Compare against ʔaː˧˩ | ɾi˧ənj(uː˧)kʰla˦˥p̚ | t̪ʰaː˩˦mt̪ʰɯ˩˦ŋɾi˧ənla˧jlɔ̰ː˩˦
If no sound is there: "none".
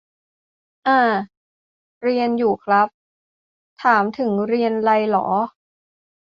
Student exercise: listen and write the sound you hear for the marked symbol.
uː˨˩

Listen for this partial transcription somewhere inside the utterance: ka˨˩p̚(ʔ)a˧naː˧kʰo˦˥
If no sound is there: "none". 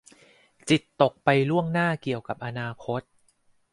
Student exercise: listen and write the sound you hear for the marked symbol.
ʔ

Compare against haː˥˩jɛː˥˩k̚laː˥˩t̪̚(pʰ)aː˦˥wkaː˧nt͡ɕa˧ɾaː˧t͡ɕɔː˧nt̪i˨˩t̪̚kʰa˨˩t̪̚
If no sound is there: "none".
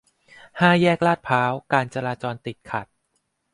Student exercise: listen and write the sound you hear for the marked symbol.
pʰ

